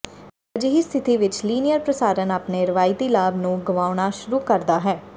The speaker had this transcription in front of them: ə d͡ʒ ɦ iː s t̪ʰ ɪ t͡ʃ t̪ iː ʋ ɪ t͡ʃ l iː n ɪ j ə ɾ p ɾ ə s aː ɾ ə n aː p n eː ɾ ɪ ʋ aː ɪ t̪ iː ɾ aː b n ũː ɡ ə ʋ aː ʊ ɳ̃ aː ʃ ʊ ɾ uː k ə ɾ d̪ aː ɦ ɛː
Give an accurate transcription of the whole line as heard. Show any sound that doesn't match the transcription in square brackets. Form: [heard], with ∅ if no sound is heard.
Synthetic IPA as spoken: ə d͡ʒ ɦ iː s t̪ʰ ɪ [∅] t̪ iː ʋ ɪ t͡ʃ l iː n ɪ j ə ɾ p ɾ ə s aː ɾ ə n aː p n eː ɾ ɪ ʋ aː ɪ t̪ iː [l] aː b n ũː ɡ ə ʋ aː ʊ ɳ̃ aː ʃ ʊ ɾ uː k ə ɾ d̪ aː ɦ ɛː